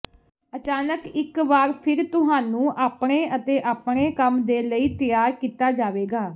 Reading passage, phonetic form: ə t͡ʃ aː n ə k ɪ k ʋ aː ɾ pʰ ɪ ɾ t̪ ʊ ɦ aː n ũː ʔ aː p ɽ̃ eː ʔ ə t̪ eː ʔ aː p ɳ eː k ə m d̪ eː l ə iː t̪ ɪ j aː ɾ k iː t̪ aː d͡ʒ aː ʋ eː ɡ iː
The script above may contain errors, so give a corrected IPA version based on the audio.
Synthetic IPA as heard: ə t͡ʃ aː n ə k ɪ k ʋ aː ɾ pʰ ɪ ɾ t̪ ʊ ɦ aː n ũː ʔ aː p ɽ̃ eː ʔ ə t̪ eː ʔ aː p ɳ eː k ə m d̪ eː l ə iː t̪ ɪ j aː ɾ k iː t̪ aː d͡ʒ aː ʋ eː ɡ aː